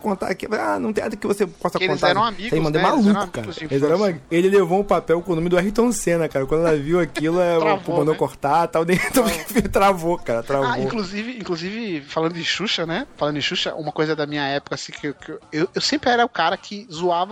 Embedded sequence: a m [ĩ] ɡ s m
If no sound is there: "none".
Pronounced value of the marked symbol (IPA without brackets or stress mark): i